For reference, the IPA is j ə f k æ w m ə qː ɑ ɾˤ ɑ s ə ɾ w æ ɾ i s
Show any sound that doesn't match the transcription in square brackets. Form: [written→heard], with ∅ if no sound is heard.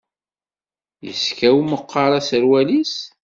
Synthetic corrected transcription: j ə [f→s] k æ w m ə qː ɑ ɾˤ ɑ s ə ɾ w æ [ɾ→l] i s